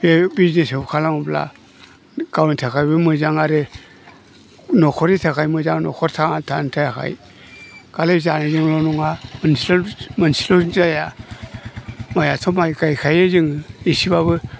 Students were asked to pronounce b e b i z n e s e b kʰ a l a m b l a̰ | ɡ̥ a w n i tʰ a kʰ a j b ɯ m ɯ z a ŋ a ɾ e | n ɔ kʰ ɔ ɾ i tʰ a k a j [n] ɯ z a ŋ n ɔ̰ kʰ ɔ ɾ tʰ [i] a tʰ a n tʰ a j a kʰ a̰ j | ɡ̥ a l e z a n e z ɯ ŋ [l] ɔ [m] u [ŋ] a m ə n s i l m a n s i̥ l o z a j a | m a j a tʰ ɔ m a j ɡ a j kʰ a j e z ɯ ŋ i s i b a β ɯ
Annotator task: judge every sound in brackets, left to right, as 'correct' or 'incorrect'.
incorrect, incorrect, correct, incorrect, correct

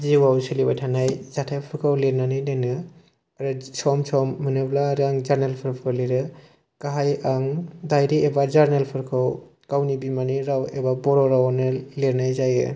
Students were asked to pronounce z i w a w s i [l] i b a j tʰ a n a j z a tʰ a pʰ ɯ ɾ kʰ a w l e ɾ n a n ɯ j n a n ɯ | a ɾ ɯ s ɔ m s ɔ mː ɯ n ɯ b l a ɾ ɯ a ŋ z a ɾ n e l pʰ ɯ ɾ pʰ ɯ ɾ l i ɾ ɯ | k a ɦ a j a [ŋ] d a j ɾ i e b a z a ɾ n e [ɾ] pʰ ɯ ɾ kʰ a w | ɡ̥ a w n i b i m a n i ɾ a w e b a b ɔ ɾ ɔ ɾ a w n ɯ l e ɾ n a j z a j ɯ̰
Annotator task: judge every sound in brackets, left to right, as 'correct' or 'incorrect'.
correct, correct, incorrect

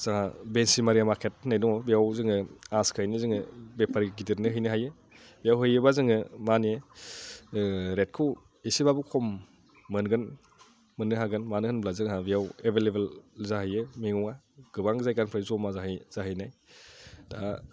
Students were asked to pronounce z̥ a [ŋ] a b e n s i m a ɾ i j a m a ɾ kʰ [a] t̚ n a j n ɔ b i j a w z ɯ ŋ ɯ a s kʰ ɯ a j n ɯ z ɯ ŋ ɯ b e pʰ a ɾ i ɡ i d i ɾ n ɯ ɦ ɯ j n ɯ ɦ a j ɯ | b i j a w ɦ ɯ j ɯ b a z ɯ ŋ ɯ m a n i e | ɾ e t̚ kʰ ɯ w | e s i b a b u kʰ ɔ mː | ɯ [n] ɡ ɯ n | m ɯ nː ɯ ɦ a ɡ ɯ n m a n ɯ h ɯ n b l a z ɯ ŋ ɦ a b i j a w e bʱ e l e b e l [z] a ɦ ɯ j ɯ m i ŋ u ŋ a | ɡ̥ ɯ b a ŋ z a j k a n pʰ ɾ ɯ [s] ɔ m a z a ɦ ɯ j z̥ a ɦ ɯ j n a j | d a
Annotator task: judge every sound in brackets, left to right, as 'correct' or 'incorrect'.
correct, incorrect, correct, correct, incorrect

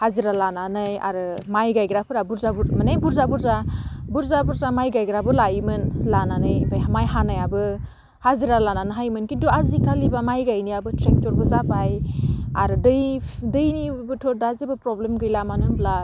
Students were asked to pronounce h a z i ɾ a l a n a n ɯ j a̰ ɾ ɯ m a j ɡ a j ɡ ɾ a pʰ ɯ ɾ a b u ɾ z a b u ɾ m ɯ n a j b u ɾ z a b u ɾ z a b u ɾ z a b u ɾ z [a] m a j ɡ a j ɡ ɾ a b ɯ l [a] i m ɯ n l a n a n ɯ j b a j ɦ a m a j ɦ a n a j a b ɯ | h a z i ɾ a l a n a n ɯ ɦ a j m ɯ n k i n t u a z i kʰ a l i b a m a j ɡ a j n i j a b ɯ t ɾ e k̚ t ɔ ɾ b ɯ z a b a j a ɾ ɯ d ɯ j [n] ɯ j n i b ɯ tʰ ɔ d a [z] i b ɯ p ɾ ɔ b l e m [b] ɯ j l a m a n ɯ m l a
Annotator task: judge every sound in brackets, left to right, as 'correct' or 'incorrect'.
correct, correct, incorrect, correct, incorrect

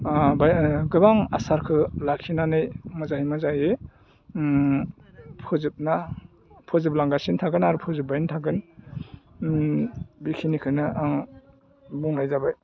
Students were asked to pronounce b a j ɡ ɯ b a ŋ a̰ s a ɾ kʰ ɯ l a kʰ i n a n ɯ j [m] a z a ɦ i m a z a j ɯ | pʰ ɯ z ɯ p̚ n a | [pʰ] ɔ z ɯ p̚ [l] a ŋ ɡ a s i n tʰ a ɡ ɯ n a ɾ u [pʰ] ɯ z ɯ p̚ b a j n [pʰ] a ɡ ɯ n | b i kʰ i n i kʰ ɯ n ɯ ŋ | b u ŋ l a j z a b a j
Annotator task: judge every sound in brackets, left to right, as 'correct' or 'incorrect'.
correct, correct, correct, correct, incorrect

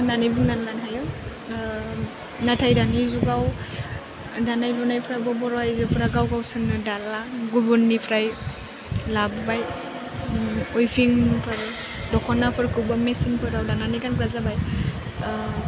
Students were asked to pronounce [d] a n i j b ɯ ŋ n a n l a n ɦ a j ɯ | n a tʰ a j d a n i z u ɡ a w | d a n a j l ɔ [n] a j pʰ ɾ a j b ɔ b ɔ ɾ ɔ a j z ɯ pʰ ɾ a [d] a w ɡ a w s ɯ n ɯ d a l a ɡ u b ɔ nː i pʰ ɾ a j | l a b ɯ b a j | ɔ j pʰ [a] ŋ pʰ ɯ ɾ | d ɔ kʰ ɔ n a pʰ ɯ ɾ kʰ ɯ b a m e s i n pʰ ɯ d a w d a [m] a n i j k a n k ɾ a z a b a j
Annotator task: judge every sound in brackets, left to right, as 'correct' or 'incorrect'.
incorrect, correct, incorrect, incorrect, incorrect

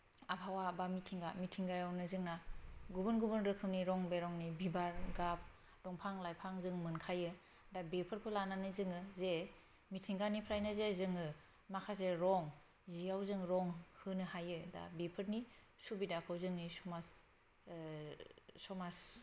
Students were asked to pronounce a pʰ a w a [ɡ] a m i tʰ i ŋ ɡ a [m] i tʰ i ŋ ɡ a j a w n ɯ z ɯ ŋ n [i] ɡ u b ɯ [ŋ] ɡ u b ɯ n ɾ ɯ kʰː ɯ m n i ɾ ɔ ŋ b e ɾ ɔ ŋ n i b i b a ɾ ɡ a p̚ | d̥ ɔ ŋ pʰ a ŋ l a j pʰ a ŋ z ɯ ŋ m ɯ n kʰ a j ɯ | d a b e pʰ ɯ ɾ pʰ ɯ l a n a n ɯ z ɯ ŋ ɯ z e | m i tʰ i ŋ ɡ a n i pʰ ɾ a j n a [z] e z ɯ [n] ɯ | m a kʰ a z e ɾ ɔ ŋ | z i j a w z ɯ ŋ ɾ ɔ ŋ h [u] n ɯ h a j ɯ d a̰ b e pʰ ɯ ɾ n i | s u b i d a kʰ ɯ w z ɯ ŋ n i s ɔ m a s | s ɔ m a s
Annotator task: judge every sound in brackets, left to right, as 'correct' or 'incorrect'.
incorrect, correct, incorrect, incorrect, correct, incorrect, incorrect

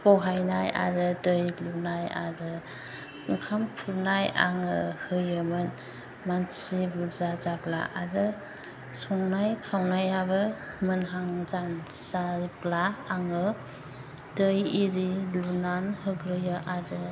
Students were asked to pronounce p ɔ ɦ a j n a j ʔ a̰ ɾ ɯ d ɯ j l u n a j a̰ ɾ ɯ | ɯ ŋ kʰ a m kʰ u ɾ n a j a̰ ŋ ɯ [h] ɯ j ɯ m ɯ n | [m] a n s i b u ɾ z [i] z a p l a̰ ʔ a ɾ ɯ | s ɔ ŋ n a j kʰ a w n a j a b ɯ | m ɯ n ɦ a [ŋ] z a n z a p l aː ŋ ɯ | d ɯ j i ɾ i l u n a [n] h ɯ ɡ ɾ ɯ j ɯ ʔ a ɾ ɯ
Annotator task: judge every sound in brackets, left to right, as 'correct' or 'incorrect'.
correct, correct, incorrect, correct, correct

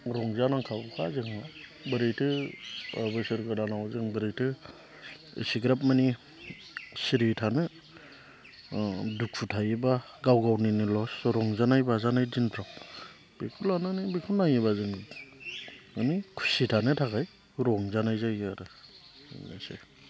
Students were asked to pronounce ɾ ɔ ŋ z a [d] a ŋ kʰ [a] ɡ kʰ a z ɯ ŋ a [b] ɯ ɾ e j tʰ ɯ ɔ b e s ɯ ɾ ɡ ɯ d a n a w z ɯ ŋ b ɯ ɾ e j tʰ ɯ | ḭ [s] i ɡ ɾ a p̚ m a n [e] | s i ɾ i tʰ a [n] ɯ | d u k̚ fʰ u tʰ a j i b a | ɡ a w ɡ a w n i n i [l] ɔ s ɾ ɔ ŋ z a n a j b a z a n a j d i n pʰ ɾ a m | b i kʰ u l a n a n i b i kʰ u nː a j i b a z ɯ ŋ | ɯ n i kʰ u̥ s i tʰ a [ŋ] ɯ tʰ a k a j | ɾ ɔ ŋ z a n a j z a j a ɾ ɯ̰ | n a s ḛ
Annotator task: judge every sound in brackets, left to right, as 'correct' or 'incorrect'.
incorrect, correct, correct, correct, incorrect, correct, correct, incorrect

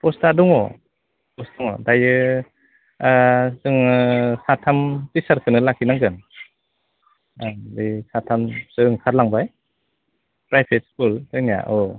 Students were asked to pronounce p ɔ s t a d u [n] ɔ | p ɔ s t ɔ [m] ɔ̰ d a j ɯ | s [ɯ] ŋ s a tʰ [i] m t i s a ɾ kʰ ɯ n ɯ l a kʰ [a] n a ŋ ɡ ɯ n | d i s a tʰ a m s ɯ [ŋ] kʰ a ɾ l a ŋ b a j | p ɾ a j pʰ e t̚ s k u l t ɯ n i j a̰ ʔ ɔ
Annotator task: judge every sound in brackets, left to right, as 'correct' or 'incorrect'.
incorrect, incorrect, correct, incorrect, incorrect, correct

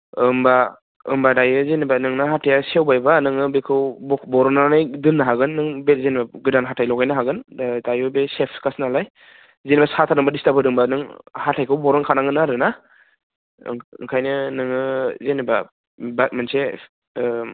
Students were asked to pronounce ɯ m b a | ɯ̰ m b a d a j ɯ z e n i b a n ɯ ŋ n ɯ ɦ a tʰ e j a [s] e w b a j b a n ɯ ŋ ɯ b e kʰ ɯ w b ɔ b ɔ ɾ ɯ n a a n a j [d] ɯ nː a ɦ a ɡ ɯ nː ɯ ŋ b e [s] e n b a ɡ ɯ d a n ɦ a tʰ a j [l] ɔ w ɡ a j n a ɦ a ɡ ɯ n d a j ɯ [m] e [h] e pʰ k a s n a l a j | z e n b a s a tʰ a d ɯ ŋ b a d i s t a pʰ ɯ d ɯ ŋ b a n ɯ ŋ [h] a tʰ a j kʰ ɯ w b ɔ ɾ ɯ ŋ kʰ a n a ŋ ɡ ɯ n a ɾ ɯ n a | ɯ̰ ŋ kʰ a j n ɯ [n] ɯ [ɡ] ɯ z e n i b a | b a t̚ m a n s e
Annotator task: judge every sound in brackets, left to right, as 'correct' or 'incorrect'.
correct, correct, incorrect, correct, incorrect, incorrect, correct, correct, incorrect

